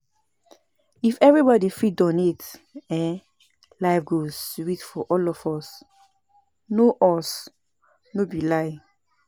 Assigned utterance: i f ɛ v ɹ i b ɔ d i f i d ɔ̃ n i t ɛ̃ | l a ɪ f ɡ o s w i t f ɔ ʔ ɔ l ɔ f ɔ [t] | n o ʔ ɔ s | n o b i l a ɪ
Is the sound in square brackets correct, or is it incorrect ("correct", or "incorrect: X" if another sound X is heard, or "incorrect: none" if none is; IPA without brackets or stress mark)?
incorrect: s